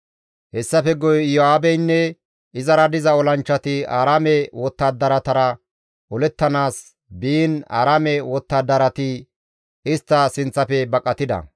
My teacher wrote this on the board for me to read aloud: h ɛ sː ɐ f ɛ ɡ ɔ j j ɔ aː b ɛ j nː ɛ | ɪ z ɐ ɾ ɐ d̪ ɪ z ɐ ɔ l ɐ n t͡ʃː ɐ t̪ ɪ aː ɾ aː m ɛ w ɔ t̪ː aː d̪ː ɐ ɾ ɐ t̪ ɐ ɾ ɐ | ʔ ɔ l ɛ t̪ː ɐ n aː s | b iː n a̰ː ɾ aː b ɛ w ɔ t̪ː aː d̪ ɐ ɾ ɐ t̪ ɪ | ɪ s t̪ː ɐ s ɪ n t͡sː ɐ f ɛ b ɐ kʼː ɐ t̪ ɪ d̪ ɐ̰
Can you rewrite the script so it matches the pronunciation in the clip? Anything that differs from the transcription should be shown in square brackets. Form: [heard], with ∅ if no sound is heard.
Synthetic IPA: h ɛ sː ɐ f ɛ ɡ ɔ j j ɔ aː b ɛ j nː ɛ | ɪ z ɐ ɾ ɐ d̪ ɪ z ɐ ɔ l ɐ n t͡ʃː ɐ t̪ ɪ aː ɾ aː m ɛ w ɔ t̪ː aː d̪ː ɐ ɾ ɐ t̪ ɐ ɾ ɐ | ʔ ɔ l ɛ t̪ː ɐ n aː s | b iː n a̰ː ɾ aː [m] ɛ w ɔ t̪ː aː d̪ ɐ ɾ ɐ t̪ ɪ | ɪ s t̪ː ɐ s ɪ n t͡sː ɐ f ɛ b ɐ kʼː ɐ t̪ ɪ d̪ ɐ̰